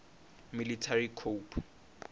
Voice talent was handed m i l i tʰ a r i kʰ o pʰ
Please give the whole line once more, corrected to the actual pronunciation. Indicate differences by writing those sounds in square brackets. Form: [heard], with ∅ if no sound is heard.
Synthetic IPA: m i l i tʰ a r i kʰ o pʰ